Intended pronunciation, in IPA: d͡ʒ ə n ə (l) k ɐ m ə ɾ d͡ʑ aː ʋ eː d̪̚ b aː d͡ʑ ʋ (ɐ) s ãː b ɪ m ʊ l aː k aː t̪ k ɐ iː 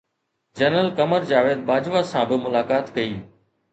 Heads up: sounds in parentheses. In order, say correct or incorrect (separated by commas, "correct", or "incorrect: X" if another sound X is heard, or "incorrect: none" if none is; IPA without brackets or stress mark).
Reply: correct, incorrect: a